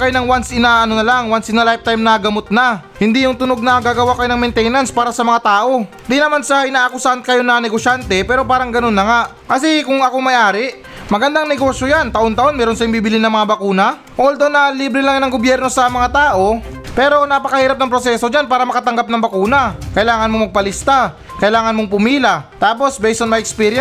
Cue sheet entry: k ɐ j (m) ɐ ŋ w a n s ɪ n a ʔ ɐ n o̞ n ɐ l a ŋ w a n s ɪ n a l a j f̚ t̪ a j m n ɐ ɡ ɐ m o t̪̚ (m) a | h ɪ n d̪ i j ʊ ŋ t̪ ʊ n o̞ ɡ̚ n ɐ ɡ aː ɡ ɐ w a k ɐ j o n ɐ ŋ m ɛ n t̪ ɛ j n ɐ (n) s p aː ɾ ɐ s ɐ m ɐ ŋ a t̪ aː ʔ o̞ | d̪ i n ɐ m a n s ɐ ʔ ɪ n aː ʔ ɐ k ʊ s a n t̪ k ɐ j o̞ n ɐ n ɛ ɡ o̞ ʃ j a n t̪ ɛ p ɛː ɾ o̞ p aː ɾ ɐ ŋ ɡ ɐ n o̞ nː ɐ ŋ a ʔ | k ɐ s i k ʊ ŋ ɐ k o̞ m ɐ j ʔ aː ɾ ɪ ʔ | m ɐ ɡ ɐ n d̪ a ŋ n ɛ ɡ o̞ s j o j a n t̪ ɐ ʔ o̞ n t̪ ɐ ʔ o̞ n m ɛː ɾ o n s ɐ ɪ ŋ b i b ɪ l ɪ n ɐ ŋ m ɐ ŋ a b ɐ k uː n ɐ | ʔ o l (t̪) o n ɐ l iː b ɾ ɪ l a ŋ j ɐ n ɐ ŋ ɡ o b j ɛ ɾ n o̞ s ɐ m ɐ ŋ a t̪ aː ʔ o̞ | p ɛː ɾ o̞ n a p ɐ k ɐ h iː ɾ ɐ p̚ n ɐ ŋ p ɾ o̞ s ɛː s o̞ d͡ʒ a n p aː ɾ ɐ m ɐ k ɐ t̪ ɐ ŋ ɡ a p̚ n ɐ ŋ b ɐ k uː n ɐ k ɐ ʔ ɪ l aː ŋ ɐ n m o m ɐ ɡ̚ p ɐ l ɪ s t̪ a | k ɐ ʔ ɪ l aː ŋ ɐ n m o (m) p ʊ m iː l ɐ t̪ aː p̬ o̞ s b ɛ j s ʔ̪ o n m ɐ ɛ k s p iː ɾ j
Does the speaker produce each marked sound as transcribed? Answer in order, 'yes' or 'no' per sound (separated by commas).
no, no, yes, no, no